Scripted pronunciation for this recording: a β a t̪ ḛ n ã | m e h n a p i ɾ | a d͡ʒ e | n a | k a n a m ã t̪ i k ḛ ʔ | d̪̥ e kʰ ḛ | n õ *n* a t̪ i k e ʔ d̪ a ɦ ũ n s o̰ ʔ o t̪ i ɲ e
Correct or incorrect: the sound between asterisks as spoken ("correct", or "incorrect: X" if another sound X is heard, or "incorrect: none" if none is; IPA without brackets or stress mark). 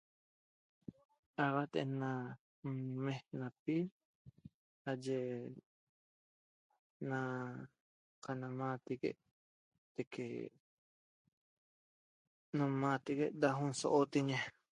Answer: incorrect: m